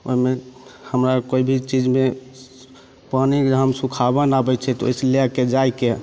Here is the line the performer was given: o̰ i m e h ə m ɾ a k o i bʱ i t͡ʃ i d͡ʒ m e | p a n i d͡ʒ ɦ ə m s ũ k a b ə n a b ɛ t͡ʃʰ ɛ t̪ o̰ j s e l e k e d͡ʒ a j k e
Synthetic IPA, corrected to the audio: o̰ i m e h ə m ɾ a k o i bʱ i t͡ʃ i d͡ʒ m e | p a n i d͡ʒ ɦ ə m s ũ kʰ a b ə n a b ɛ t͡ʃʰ ɛ t̪ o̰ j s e l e k e d͡ʒ a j k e